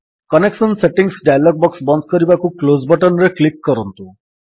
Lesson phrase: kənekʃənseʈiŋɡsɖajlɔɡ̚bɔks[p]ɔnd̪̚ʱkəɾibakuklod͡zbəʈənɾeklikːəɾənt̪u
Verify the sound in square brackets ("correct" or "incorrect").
incorrect